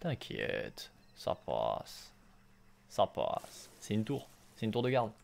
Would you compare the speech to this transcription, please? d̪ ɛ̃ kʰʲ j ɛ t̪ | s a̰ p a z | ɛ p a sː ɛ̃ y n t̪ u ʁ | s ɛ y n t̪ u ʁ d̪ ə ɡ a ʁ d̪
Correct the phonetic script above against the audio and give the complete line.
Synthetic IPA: t̪ ɛ̃ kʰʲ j ɛ t̪ | s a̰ p a s | a p a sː ɛ y n t̪ u ʁ | s ɛ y n t̪ u ʁ d̪ ə ɡ a ʁ d̪